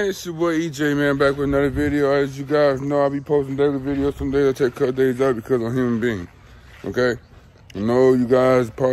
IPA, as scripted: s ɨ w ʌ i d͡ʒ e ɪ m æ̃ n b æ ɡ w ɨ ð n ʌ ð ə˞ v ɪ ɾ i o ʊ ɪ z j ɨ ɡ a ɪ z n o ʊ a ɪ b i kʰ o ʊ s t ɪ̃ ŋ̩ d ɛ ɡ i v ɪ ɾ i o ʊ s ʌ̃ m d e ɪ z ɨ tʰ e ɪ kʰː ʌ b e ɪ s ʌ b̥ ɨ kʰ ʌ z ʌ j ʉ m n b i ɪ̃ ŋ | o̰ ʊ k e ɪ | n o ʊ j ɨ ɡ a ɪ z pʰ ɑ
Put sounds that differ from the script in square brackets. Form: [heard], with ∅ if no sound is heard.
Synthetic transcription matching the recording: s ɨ w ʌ i d͡ʒ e ɪ m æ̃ n b æ [k] w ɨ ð n ʌ ð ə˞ v ɪ ɾ i o ʊ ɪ z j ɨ ɡ a ɪ z n o ʊ a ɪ b i [pʰ] o ʊ s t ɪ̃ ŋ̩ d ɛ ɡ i v ɪ ɾ i o ʊ s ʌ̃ m d e ɪ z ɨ tʰ e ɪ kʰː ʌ [d] e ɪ [z] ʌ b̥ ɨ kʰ ʌ z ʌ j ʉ m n b i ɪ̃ ŋ | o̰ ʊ k e ɪ | n o ʊ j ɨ ɡ a ɪ z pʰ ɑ